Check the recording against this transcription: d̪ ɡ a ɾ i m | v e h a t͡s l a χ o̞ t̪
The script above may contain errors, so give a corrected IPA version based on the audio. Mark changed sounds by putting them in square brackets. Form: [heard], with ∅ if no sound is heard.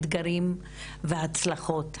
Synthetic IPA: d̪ ɡ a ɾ i m | v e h a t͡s l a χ o̞ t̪